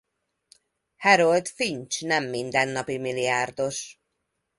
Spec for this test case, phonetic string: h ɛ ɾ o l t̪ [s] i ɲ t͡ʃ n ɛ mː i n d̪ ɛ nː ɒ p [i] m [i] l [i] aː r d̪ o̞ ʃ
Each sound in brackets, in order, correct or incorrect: incorrect: f, correct, correct, correct

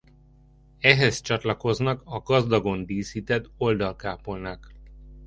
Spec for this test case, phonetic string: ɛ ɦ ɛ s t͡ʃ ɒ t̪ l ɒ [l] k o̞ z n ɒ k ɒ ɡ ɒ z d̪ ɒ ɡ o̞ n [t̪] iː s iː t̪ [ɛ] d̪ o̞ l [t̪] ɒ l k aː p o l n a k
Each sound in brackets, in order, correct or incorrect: incorrect: none, incorrect: d̪, correct, incorrect: d̪

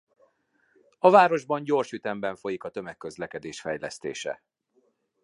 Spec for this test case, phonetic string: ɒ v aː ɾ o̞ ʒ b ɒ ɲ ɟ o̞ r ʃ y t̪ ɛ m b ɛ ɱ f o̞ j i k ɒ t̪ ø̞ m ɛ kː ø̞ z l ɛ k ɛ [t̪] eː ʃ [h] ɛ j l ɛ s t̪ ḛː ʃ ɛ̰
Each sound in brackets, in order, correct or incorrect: incorrect: d̪, incorrect: f

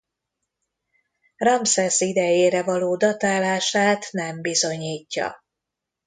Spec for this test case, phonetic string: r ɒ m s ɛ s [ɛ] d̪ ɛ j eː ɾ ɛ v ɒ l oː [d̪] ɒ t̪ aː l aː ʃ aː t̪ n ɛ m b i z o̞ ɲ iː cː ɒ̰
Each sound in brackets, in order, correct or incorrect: incorrect: i, correct

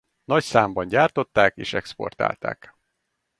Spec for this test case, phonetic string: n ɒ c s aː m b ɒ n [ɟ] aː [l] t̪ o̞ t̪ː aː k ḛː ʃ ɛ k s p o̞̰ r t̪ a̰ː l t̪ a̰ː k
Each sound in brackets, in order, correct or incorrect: correct, incorrect: r

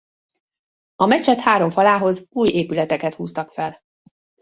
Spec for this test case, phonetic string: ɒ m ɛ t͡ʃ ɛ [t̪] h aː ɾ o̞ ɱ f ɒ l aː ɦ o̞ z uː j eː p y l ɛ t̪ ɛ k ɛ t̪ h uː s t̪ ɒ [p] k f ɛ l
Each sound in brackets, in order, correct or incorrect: correct, incorrect: none

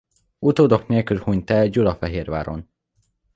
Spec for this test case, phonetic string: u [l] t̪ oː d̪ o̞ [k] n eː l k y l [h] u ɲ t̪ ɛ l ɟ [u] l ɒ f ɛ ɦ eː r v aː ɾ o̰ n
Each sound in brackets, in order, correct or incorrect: incorrect: none, correct, correct, correct

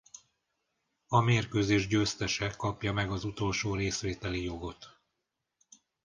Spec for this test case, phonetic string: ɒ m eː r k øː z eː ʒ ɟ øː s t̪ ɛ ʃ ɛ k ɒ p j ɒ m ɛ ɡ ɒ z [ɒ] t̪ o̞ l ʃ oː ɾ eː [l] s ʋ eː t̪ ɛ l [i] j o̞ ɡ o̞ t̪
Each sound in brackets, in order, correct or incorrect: incorrect: u, incorrect: none, correct

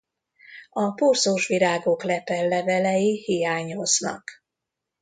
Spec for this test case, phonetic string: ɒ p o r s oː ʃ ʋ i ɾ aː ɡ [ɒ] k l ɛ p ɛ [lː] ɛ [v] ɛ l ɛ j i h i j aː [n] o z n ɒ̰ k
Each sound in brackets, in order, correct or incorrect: incorrect: o, correct, correct, incorrect: ɲ

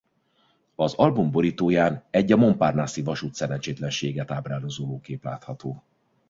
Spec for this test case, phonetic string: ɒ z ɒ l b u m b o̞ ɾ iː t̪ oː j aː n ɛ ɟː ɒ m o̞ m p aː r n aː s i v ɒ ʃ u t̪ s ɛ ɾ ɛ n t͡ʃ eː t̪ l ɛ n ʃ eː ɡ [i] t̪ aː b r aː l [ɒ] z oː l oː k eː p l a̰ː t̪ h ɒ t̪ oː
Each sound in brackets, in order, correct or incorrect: incorrect: ɛ, incorrect: o

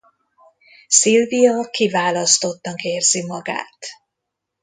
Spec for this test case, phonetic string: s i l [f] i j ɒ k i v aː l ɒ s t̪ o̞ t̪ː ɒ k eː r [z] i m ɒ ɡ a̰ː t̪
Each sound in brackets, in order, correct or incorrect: incorrect: v, correct

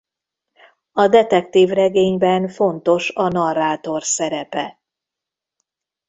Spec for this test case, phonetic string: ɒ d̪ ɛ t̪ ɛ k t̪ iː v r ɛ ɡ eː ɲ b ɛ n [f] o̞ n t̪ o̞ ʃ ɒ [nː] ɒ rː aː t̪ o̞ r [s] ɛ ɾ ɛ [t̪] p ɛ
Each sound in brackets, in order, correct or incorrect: correct, incorrect: n, correct, incorrect: none

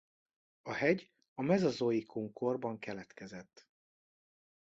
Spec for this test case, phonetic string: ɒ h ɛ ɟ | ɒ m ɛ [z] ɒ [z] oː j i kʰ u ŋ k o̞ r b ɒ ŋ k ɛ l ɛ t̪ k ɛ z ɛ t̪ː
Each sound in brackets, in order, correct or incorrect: correct, correct

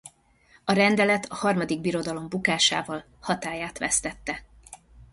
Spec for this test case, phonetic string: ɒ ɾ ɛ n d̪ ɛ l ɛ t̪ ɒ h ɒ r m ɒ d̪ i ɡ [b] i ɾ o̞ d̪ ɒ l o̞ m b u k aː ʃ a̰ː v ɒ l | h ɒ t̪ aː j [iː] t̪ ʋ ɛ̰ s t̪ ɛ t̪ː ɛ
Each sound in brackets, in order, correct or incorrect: correct, incorrect: aː

